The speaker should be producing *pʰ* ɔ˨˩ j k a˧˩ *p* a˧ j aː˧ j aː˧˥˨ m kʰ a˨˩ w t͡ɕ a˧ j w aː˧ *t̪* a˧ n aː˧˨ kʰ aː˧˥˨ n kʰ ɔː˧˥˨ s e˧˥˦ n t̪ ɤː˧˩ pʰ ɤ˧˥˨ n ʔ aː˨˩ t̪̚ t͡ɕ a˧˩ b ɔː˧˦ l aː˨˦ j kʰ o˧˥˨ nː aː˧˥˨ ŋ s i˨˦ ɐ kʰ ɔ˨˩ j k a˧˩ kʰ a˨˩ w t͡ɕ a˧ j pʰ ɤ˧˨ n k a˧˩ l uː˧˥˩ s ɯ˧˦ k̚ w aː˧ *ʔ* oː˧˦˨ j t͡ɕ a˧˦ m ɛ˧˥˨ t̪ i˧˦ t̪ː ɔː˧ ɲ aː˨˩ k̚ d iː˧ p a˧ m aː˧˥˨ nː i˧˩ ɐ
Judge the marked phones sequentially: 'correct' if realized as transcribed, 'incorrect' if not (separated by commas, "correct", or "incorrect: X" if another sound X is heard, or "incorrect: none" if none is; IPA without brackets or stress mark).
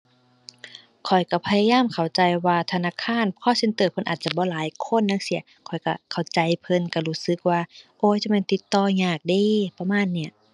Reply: incorrect: kʰ, incorrect: pʰ, incorrect: t̪ʰ, correct